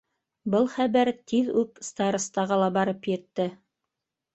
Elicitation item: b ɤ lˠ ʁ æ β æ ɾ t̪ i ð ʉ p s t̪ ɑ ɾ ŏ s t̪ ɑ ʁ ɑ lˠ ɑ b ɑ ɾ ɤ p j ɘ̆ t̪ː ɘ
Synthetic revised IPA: b ɤ lˠ χ æ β æ ɾ t̪ i ð ʉ p s t̪ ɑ ɾ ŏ s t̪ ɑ ʁ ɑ lˠ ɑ b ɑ ɾ ɤ p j ɘ̆ t̪ː ɘ